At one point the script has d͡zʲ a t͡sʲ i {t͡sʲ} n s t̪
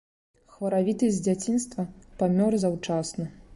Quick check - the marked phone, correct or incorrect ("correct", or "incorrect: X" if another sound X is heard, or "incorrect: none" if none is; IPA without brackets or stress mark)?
incorrect: none